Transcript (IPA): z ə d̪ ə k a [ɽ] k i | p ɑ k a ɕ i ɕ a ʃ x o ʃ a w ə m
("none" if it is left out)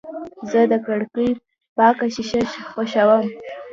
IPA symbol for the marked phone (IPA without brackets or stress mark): ɽ